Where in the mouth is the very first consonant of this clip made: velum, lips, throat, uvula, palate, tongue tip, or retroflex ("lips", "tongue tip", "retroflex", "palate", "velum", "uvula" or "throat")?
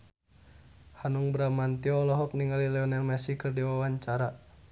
throat